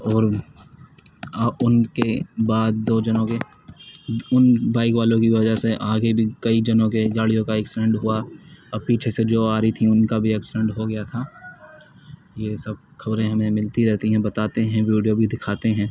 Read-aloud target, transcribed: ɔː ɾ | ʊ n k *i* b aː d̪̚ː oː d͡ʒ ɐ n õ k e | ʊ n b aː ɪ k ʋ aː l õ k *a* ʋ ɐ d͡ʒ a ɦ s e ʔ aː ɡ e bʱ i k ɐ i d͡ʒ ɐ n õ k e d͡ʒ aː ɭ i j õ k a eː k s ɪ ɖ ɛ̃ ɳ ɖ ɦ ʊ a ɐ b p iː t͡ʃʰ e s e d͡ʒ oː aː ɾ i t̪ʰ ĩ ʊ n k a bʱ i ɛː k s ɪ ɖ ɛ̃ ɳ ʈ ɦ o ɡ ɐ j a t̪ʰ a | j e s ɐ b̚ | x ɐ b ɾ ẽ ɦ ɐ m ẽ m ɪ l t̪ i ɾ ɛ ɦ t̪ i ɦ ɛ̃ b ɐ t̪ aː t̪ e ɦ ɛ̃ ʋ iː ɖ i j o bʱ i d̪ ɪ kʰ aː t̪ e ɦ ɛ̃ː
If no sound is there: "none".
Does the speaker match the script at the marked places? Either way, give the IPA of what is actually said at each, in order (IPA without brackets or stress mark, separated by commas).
e, i